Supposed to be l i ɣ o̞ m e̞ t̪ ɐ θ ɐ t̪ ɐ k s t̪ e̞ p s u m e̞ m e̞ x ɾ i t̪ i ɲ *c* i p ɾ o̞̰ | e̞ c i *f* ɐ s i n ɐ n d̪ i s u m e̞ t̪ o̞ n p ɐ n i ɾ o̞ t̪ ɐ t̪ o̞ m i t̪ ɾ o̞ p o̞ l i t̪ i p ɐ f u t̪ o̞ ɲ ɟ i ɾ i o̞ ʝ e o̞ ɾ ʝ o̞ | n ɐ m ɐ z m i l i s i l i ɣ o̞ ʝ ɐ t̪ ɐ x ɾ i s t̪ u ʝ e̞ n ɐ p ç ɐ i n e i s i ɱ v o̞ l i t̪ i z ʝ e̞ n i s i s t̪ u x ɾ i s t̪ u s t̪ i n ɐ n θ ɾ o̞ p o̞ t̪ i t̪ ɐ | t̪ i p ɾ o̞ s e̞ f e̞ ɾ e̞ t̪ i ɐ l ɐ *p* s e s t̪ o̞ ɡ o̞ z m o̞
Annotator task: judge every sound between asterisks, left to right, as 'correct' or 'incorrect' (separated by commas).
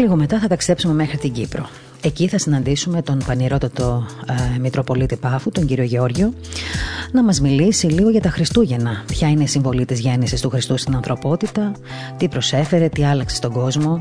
incorrect, incorrect, incorrect